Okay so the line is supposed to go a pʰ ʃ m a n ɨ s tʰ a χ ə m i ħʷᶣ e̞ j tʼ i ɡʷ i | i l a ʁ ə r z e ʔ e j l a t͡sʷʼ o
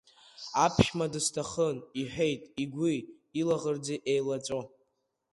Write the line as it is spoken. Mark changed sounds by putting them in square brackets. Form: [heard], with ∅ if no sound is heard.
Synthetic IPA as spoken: a pʰ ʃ m a [d] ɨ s tʰ a χ ə [n] i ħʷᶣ e̞ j tʼ i ɡʷ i | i l a ʁ ə r [d͡z] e ʔ e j l a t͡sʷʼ o